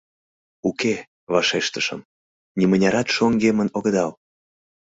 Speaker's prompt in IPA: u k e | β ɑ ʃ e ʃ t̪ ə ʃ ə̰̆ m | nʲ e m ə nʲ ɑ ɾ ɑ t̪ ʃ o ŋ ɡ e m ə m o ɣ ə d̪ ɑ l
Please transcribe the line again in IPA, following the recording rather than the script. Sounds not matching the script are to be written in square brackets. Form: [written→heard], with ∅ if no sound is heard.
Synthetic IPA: u k e | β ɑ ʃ e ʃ t̪ ə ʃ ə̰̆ m | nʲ [e→i] m ə nʲ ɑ ɾ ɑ t̪ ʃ o ŋ ɡ e m ə [m→n] o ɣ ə d̪ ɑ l

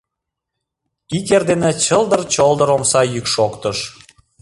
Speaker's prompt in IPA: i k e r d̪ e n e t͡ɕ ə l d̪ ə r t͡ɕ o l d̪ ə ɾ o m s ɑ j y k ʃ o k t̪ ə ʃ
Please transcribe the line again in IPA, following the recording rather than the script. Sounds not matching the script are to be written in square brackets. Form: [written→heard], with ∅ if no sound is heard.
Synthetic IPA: i k e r d̪ e n e t͡ɕ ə l d̪ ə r t͡ɕ o l d̪ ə ɾ o m s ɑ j y k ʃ o k t̪ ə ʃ

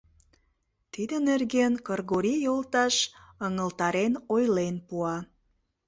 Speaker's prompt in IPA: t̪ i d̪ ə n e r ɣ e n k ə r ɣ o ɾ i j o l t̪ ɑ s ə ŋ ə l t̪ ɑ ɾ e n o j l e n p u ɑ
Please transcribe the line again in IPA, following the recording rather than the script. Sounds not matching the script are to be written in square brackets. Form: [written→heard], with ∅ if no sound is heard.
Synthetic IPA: t̪ i d̪ ə n e r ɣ e n k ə r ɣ o ɾ i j o l t̪ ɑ [s→ʃ] ə ŋ ə l t̪ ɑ ɾ e n o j l e n p u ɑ

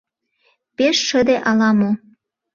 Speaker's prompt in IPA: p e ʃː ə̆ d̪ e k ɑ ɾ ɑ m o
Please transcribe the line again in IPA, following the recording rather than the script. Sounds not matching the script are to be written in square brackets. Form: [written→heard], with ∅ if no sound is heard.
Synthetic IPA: p e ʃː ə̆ d̪ e [k→ʔ] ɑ [ɾ→l] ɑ m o

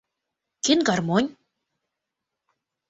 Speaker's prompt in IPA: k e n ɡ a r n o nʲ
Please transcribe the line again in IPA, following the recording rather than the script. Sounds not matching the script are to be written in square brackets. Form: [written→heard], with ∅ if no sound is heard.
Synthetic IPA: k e n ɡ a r [n→m] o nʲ

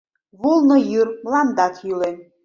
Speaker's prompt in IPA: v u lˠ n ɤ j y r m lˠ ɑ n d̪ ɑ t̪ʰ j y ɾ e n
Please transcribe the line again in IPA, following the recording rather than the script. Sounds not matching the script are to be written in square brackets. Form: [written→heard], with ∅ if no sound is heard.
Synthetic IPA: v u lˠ n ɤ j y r m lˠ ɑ n d̪ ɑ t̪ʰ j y [ɾ→l] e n

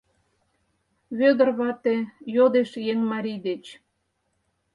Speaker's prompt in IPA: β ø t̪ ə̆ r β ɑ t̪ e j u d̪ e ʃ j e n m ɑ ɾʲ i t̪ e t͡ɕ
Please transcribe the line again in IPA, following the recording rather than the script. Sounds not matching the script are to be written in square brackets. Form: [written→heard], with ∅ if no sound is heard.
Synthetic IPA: β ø [t̪→d̪] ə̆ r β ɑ t̪ e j [u→o] d̪ e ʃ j e [n→ŋ] m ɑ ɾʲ i [t̪→d̪] e t͡ɕ

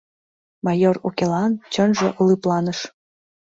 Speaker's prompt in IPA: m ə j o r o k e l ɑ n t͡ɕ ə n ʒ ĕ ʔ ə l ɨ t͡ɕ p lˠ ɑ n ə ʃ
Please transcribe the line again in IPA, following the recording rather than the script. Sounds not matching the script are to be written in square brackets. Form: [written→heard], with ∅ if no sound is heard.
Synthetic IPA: m [ə→ɑ] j o r o k e l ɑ n t͡ɕ ə n ʒ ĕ ʔ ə l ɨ [t͡ɕ→∅] p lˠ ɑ n ə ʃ

